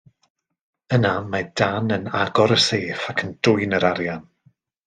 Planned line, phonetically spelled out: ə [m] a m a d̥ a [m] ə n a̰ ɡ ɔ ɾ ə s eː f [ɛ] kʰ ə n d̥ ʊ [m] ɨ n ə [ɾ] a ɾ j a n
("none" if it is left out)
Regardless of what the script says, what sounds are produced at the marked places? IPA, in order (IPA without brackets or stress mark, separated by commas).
n, n, a, none, ɾ